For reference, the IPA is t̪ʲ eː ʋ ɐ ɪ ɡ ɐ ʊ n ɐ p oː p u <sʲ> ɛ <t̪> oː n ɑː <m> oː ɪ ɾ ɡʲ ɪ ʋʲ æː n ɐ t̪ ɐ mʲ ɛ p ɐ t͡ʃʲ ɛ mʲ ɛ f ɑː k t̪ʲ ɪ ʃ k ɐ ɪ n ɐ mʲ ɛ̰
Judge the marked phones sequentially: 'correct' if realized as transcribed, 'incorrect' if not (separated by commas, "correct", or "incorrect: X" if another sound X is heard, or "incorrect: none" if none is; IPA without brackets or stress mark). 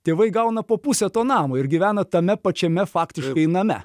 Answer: correct, correct, correct